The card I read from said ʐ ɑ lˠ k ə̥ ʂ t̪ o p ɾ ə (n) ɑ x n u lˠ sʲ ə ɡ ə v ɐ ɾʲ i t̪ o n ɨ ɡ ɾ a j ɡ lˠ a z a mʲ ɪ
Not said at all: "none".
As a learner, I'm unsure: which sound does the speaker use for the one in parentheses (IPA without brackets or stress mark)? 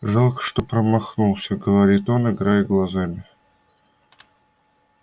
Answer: m